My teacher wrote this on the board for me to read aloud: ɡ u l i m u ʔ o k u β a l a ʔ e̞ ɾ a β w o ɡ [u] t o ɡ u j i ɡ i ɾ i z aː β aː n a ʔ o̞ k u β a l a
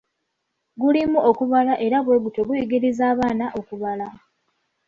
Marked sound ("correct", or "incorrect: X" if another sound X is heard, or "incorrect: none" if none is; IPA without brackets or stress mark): correct